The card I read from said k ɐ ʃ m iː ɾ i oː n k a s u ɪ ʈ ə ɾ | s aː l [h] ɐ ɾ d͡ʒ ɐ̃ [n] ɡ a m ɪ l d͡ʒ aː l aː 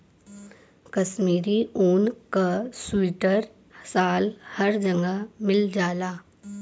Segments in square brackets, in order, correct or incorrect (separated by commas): correct, incorrect